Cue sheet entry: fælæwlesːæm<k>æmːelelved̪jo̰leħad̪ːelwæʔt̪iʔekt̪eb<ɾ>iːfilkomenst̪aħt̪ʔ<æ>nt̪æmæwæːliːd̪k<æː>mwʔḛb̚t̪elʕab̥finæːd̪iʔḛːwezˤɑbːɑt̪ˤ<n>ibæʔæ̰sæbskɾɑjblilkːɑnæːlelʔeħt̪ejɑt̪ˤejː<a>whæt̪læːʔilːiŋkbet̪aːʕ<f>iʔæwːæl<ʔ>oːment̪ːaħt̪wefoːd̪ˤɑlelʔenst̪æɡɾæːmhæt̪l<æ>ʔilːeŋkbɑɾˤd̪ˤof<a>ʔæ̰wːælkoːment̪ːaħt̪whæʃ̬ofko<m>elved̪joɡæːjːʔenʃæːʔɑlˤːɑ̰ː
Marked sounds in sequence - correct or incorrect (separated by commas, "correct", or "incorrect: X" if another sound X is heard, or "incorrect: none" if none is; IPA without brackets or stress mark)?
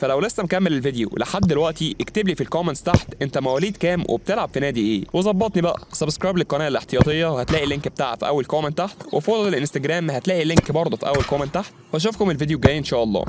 correct, incorrect: l, incorrect: e, correct, correct, incorrect: ɑ, correct, incorrect: k, incorrect: æː, incorrect: i, correct